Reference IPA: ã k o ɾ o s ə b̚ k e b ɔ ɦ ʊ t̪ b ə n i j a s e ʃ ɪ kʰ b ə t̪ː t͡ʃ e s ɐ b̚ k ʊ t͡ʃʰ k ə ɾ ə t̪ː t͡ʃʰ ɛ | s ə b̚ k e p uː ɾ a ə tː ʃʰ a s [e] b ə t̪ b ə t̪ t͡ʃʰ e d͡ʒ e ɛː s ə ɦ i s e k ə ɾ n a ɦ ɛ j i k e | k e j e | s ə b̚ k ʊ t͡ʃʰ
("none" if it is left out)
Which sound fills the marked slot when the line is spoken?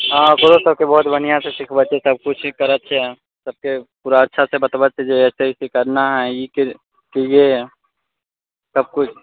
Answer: e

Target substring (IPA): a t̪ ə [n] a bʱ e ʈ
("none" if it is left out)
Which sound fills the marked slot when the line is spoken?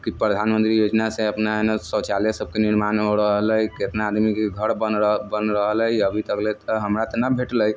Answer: n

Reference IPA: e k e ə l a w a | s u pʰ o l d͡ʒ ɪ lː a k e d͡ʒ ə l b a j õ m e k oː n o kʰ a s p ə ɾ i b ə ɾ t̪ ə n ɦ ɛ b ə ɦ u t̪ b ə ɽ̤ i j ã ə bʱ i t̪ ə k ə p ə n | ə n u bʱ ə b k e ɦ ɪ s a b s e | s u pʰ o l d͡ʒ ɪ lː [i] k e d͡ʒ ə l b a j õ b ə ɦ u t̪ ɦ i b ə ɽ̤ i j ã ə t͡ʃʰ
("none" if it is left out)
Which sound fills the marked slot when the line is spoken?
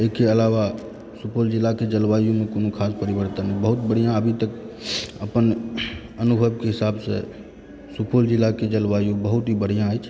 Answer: a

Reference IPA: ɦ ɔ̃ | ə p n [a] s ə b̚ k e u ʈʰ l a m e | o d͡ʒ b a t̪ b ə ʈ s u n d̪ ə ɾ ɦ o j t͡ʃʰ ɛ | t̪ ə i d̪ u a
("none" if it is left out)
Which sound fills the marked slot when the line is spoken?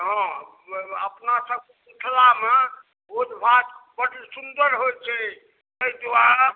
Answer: a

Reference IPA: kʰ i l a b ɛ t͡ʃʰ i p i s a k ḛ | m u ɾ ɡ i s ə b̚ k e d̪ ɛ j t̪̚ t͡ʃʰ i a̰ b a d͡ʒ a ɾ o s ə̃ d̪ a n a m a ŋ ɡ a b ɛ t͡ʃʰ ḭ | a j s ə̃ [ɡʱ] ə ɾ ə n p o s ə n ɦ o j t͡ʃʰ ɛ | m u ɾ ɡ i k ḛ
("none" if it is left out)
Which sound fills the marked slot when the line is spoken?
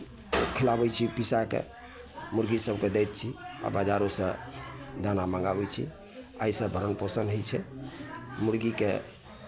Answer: bʱ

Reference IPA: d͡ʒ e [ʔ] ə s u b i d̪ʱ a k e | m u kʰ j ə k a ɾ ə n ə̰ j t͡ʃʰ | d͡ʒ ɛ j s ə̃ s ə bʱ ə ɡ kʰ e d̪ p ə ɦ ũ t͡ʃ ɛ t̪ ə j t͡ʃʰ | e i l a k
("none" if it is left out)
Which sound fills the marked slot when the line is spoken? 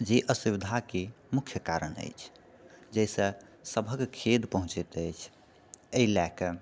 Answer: ʔ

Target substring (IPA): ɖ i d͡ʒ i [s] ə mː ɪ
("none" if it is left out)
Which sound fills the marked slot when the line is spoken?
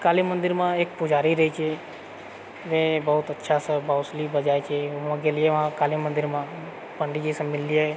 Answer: s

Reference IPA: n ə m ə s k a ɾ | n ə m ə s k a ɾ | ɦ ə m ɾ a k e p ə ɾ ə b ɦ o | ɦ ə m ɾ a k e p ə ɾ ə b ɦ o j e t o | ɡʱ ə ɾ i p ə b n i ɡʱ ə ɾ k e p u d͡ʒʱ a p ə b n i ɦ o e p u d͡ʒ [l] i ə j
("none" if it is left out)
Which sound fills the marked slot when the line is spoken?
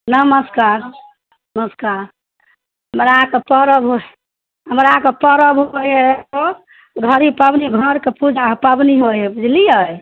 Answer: l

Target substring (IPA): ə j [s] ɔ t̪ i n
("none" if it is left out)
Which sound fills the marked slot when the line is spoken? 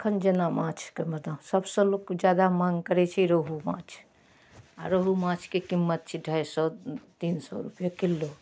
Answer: s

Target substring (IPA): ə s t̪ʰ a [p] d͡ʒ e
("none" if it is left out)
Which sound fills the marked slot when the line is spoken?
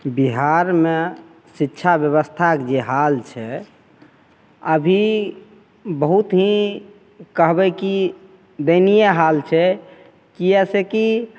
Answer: k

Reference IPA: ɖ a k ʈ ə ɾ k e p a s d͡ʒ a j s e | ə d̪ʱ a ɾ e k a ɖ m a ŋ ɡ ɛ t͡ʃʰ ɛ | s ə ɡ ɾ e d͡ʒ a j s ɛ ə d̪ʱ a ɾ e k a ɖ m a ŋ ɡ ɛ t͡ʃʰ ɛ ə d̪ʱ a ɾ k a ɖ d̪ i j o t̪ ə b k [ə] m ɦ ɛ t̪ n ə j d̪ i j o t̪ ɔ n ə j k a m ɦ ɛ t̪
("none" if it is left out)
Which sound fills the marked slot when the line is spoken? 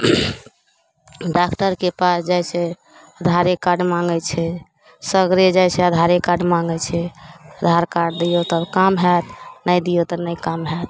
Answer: a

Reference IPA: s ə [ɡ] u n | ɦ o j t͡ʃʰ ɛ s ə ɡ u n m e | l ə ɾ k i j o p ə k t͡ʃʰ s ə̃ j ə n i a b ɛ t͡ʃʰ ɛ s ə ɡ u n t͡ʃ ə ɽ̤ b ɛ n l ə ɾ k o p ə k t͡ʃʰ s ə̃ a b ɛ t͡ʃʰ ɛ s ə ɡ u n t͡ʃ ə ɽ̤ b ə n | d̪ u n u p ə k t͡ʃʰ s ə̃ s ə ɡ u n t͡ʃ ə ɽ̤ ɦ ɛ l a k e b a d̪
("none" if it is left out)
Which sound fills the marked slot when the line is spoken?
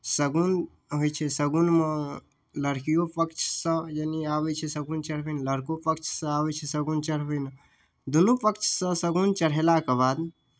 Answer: ɡ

